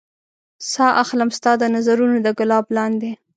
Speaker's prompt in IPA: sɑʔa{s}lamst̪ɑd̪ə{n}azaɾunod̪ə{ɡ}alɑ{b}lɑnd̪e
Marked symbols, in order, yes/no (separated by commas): no, yes, yes, yes